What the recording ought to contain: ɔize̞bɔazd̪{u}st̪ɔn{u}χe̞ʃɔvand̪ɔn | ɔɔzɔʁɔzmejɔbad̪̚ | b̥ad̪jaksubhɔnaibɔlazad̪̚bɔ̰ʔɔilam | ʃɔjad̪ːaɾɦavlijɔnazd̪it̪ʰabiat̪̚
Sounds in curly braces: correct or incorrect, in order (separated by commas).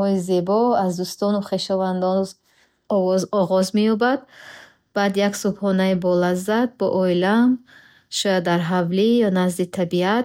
correct, correct